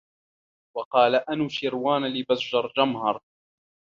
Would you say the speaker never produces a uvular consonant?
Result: no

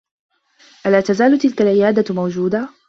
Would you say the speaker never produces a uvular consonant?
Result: yes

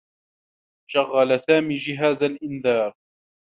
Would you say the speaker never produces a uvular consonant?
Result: yes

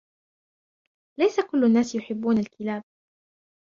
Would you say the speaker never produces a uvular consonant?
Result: yes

